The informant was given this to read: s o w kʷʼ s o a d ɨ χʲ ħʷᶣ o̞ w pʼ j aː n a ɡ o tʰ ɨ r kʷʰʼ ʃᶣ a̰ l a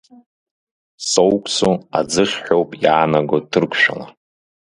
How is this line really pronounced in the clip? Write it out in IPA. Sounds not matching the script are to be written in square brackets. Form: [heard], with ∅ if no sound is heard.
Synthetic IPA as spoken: s o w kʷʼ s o a [d͡z] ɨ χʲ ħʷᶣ o̞ w pʼ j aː n a ɡ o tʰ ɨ r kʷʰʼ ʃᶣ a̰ l a